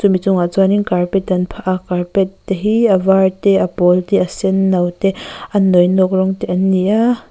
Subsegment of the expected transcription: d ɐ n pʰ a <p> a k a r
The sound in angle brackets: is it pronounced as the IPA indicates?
no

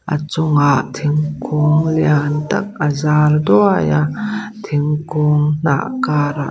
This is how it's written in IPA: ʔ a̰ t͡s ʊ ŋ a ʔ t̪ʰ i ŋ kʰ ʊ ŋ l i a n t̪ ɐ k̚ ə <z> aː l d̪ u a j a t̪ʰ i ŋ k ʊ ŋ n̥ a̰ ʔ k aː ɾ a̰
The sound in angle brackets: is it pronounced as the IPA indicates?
yes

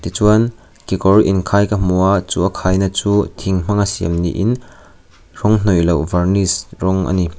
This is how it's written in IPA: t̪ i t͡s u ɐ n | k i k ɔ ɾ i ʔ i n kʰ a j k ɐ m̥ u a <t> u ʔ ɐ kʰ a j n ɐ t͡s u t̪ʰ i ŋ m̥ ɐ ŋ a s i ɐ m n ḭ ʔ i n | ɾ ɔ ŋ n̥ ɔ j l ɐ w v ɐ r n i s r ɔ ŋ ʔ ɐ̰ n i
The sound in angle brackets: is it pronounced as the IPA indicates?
no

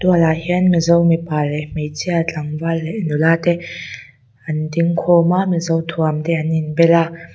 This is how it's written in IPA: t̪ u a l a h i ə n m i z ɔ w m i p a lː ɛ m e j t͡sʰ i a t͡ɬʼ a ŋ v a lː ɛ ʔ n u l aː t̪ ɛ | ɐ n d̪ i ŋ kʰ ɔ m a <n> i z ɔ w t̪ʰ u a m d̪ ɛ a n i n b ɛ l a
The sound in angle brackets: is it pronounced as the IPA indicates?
no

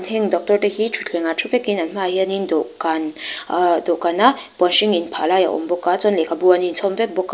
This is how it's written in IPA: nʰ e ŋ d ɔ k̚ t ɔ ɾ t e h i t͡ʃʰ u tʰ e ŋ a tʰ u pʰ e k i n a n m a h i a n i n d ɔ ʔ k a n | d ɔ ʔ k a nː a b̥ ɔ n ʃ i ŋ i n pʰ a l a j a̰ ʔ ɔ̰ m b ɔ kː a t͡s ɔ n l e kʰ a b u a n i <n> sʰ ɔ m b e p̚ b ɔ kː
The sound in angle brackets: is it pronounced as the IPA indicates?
yes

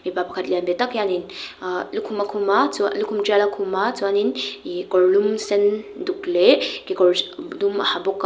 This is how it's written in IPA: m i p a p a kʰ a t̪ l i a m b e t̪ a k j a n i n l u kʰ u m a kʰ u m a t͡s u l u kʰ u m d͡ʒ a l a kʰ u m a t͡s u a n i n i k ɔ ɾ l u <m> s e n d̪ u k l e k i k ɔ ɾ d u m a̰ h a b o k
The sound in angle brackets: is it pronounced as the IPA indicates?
yes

